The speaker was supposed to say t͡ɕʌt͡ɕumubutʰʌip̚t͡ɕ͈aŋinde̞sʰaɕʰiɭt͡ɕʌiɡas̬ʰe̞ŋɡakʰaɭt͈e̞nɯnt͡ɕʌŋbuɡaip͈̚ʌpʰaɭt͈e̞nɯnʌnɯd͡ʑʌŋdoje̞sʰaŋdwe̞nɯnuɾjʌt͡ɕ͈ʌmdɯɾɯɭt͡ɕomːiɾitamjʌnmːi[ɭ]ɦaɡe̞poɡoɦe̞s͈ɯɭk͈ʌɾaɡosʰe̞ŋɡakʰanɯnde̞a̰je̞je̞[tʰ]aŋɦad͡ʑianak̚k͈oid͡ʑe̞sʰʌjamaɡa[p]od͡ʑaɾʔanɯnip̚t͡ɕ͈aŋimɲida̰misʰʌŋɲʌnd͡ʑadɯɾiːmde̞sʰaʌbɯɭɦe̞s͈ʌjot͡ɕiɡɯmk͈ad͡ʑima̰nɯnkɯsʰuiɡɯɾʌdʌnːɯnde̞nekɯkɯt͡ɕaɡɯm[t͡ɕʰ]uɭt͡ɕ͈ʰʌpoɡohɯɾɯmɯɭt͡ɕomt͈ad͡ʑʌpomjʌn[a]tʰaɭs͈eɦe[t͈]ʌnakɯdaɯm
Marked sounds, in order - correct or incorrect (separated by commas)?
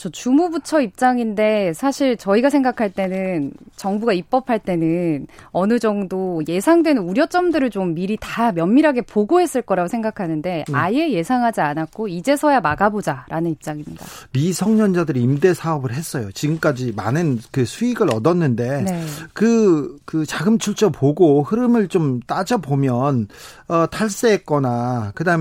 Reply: incorrect, incorrect, incorrect, correct, incorrect, incorrect